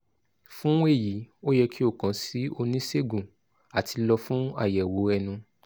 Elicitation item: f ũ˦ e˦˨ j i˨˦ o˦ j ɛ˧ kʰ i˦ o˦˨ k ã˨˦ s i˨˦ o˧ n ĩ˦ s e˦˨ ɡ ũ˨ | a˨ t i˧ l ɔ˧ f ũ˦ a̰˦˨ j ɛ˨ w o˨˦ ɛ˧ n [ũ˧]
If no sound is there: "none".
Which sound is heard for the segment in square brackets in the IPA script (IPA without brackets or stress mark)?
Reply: ũ˧